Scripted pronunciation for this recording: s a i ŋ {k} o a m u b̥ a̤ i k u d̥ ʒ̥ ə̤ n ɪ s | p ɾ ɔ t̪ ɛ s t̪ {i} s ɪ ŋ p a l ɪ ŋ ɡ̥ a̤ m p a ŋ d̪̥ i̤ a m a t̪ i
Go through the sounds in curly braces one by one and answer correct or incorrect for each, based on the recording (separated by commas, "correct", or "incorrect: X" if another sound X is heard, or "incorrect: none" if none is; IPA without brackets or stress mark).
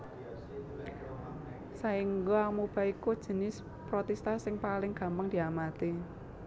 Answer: incorrect: ɡ, incorrect: a